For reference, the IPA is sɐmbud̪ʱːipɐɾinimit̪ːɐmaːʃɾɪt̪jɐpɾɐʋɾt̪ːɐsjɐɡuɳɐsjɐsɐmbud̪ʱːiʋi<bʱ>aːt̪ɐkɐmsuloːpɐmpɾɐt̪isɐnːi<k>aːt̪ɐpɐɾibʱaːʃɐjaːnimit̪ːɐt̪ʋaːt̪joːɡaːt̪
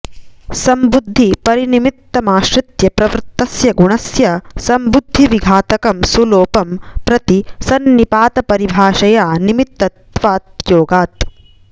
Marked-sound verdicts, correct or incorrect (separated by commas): incorrect, incorrect